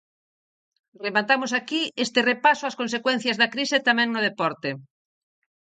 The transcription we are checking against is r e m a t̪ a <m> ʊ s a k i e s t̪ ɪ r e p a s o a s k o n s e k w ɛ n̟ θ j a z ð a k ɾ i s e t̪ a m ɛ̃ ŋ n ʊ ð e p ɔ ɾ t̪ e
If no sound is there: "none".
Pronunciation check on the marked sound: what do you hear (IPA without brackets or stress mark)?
m